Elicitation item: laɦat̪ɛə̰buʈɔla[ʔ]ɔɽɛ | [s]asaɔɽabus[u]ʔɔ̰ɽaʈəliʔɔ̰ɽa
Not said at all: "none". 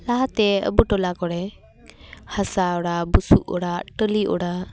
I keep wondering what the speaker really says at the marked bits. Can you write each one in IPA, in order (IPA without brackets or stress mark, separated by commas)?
k, h, u